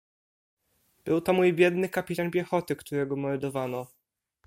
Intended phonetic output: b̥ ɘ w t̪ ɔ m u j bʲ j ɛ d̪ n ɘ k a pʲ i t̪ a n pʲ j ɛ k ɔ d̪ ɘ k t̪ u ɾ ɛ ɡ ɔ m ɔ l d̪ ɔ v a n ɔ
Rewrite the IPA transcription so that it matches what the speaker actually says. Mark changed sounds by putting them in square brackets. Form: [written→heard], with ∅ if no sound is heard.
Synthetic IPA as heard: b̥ ɘ w t̪ ɔ m u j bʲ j ɛ d̪ n ɘ k a pʲ i t̪ a n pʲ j ɛ [k→x] ɔ [d̪→t̪] ɘ k t̪ u ɾ ɛ ɡ ɔ m ɔ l d̪ ɔ v a n ɔ